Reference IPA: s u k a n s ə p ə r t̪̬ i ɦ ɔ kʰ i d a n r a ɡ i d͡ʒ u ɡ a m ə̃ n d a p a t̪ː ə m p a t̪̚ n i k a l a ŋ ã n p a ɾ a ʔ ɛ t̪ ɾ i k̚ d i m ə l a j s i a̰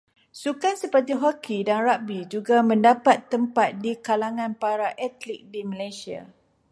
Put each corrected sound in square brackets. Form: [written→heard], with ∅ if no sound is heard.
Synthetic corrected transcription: s u k a n s ə p ə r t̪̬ i ɦ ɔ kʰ i d a n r a [ɡ→b] i d͡ʒ u ɡ a m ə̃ n d a p a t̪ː ə m p a t̪̚ [n→d] i k a l a ŋ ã n p a ɾ a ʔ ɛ t̪ [ɾ→l] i k̚ d i m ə l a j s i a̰